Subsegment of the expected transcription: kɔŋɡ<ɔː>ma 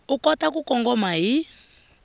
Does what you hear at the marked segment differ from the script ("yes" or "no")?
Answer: yes